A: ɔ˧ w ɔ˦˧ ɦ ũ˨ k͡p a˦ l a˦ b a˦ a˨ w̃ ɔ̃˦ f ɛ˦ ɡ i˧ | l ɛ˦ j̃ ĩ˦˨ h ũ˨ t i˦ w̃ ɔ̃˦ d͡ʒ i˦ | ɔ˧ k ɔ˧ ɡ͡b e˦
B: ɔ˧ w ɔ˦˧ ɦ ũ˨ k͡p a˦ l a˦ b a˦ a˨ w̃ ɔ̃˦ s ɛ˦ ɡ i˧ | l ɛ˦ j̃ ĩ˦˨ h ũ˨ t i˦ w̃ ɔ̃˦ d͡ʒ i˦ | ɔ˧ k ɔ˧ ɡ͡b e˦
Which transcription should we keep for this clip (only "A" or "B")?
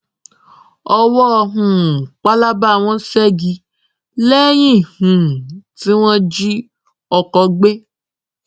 B